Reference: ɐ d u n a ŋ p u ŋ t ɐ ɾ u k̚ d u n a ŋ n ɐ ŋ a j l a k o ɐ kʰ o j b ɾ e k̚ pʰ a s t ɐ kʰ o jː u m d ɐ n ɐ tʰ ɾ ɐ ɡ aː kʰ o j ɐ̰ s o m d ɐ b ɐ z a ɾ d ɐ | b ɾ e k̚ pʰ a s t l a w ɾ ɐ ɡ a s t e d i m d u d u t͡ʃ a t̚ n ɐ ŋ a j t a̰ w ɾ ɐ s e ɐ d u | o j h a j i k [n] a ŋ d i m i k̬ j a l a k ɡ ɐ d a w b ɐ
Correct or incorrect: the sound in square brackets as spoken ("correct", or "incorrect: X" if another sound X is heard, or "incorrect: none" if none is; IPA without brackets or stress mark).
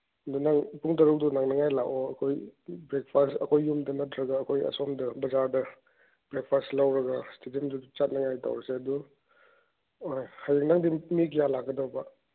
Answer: correct